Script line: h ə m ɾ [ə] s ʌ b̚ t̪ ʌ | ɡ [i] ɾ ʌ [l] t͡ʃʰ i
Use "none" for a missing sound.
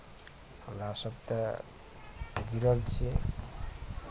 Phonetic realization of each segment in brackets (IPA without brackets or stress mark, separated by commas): a, i, l